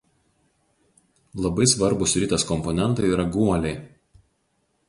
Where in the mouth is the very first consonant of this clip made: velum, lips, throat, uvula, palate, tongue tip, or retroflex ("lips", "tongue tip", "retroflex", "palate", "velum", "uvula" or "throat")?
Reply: tongue tip